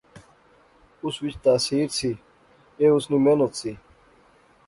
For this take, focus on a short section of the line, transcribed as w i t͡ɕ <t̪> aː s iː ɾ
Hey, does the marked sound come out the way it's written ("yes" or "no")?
yes